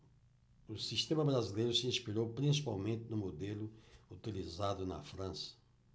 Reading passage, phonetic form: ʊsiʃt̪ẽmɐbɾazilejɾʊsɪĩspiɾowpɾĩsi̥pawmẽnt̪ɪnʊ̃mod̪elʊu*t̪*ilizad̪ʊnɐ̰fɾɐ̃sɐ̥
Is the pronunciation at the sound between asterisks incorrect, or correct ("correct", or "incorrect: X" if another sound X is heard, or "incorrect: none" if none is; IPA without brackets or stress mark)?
correct